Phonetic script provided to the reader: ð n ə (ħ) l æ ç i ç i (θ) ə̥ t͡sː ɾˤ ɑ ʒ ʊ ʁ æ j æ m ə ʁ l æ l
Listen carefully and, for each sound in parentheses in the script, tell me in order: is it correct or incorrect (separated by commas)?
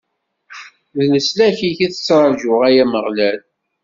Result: incorrect, correct